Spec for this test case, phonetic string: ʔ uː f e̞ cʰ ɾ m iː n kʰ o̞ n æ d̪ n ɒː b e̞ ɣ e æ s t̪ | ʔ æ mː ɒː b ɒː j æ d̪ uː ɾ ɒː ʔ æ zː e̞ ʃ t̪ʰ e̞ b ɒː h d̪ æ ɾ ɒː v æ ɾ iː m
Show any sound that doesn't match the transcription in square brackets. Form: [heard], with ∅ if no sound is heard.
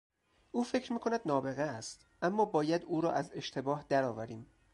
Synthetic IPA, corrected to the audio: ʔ uː f e̞ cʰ ɾ m iː [∅] kʰ o̞ n æ d̪ n ɒː b e̞ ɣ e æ s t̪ | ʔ æ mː ɒː b ɒː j æ d̪ uː ɾ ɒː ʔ æ [z] e̞ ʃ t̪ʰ e̞ b ɒː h d̪ æ ɾ ɒː v æ ɾ iː m